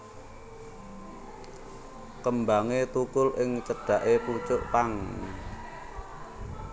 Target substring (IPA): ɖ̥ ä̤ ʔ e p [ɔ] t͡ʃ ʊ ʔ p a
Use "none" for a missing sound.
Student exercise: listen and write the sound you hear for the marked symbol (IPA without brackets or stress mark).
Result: u